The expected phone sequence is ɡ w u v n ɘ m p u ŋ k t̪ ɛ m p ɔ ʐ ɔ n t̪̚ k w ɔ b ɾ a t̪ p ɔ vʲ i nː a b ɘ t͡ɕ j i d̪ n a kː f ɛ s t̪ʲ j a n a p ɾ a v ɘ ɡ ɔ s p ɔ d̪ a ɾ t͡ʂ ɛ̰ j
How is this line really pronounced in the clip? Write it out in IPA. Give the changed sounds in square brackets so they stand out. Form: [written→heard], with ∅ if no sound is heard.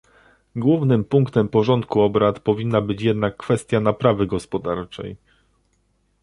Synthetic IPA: ɡ w u v n ɘ m p u ŋ k t̪ ɛ m p ɔ ʐ ɔ n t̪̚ k [w→u] ɔ b ɾ a t̪ p ɔ vʲ i nː a b ɘ t͡ɕ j [i→ɛ] d̪ n a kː f ɛ s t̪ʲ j a n a p ɾ a v ɘ ɡ ɔ s p ɔ d̪ a ɾ t͡ʂ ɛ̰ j